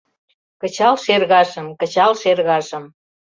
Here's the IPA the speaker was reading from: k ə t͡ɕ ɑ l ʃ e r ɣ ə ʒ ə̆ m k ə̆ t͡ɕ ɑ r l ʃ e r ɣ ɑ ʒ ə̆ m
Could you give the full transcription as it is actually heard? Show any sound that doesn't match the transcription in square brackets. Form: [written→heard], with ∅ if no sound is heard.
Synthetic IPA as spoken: k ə t͡ɕ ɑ l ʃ e r ɣ [ə→ɑ] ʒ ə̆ m k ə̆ t͡ɕ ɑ [r→∅] l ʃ e r ɣ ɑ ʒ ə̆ m